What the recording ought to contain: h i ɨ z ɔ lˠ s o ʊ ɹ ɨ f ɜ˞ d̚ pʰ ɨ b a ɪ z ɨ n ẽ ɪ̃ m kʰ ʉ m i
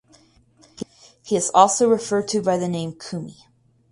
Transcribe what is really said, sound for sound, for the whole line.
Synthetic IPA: h i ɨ z ɔ lˠ s o ʊ ɹ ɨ f ɜ˞ d̚ tʰ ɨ b a ɪ ð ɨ n ẽ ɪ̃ m kʰ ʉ m i